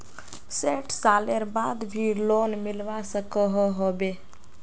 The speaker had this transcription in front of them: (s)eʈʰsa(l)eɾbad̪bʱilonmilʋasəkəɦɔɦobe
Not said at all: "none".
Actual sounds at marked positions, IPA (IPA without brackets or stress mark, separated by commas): s, l